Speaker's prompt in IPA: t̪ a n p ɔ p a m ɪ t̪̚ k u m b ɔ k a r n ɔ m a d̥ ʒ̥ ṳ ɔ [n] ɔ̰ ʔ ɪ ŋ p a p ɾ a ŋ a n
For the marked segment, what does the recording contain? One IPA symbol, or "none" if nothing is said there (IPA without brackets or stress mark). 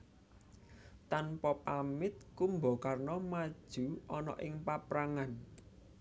n